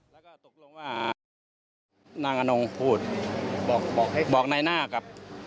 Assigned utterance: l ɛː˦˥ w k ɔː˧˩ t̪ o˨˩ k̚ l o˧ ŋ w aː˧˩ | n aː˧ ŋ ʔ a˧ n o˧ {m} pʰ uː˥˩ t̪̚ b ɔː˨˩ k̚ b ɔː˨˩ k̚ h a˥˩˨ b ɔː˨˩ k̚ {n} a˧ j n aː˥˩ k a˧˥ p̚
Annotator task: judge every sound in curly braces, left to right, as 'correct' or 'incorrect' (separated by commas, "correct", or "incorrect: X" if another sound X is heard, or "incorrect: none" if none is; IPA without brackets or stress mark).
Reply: incorrect: ŋ, correct